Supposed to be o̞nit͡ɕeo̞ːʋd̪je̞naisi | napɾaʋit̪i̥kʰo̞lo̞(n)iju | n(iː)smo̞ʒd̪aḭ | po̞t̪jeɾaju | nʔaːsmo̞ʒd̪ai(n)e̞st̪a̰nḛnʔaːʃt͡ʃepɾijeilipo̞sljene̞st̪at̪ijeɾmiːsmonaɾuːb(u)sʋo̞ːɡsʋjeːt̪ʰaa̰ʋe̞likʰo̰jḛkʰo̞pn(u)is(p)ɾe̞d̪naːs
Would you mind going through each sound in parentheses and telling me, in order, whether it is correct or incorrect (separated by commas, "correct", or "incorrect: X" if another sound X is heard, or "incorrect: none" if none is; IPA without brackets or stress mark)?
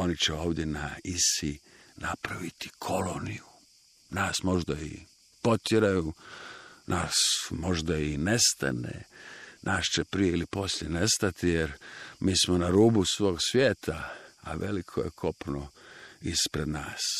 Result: correct, incorrect: aː, correct, correct, incorrect: o, correct